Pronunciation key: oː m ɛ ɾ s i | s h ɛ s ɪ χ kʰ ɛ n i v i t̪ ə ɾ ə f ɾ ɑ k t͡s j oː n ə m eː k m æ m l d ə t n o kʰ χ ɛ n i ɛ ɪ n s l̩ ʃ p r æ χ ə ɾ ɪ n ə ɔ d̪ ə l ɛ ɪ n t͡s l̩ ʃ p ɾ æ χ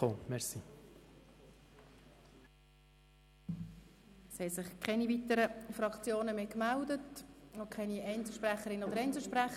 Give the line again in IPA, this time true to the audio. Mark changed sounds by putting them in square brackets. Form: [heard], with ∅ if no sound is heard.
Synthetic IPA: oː m ɛ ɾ s i | s h ɛ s ɪ χ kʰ ɛ n i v i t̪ ə ɾ ə f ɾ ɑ k t͡s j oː n ə m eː k m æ [∅] l d ə t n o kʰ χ ɛ n i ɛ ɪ n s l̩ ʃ p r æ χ ə ɾ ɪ n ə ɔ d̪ ə [ɾ] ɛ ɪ n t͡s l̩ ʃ p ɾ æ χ